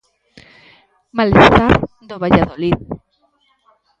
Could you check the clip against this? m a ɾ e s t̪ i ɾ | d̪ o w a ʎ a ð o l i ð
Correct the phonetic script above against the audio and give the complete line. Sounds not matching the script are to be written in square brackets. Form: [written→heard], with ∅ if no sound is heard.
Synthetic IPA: m a [ɾ→l] e s t̪ [i→a] ɾ | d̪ o [w→β] a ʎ a ð o l i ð